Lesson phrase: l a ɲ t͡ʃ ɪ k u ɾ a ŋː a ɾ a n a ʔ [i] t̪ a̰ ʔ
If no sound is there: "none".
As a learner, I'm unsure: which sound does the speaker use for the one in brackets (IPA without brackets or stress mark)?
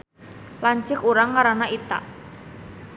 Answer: i